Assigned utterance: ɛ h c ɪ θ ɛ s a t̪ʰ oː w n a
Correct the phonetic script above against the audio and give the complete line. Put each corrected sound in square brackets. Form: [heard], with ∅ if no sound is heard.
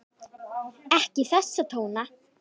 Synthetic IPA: ɛ h c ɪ θ ɛ [sː] a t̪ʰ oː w n a